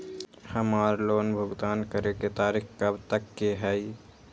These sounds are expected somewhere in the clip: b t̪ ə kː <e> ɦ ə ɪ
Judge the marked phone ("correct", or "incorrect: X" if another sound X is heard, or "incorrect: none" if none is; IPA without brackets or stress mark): correct